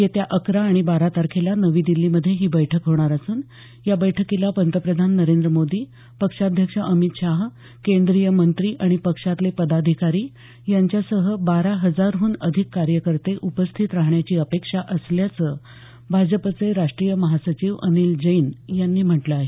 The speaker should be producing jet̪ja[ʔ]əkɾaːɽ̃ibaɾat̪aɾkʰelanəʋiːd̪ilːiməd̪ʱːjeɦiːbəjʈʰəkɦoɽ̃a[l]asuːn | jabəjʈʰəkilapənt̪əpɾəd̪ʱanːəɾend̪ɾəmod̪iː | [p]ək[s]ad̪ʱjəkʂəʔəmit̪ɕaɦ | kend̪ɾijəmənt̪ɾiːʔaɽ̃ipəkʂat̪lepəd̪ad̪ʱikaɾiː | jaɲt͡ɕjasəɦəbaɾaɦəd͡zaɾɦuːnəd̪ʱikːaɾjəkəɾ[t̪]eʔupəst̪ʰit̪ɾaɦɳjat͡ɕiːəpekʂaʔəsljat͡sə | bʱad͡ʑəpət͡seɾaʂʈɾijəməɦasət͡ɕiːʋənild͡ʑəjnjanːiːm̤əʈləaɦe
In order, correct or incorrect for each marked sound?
correct, incorrect, correct, incorrect, correct

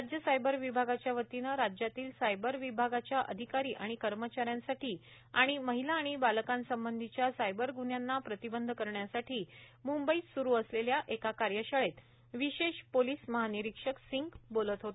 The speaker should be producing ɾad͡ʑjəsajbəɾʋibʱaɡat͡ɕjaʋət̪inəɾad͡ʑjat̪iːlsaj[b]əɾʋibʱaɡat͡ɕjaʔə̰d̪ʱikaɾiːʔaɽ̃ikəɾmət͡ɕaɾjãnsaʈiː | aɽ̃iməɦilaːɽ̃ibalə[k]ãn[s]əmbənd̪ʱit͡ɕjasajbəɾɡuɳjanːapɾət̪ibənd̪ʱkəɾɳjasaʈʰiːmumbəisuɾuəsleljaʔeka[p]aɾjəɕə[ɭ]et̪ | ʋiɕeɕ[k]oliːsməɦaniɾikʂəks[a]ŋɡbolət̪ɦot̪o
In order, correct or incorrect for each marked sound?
correct, correct, correct, incorrect, correct, incorrect, incorrect

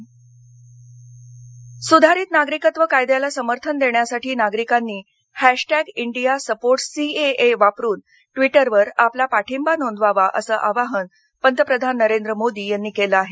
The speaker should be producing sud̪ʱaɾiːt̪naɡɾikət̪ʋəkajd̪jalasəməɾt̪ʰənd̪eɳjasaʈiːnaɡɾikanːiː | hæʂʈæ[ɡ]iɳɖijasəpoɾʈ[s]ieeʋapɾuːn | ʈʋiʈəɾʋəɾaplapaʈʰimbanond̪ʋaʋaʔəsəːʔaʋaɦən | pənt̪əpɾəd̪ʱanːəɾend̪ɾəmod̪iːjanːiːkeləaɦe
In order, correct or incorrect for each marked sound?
correct, correct

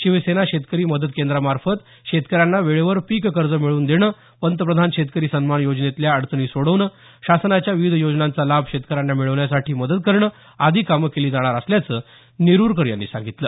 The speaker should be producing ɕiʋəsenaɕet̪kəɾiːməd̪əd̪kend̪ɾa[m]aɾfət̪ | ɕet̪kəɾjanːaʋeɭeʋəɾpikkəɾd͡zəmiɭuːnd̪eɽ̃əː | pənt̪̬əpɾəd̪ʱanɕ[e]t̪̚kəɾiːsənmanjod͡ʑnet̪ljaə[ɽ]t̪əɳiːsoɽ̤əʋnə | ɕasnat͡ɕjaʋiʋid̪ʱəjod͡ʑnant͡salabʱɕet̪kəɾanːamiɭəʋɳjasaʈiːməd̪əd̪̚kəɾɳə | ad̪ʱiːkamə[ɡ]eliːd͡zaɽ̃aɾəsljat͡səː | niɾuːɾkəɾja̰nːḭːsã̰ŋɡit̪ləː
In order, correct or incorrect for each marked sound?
correct, correct, correct, incorrect

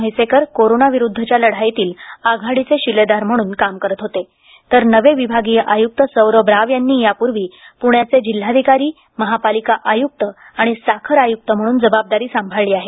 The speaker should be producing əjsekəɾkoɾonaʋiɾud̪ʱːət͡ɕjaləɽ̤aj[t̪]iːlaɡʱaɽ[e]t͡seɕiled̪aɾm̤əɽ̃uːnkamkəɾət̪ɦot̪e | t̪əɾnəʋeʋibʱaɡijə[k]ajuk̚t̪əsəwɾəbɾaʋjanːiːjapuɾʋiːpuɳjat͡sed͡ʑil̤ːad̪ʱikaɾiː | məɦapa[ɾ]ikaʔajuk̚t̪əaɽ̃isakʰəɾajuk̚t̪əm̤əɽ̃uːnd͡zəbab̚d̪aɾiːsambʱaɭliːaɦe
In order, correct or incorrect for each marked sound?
correct, incorrect, incorrect, incorrect

